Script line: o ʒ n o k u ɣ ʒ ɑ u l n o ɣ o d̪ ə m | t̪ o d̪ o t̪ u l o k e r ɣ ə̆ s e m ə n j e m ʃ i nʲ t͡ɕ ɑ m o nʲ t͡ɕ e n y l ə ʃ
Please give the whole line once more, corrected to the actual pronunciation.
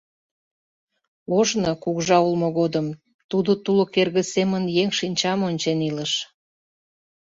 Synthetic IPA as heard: o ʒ n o k u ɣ ʒ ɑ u l m o ɣ o d̪ ə m | t̪ u d̪ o t̪ u l o k e r ɣ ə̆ s e m ə n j e ŋ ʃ i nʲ t͡ɕ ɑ m o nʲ t͡ɕ e n i l ə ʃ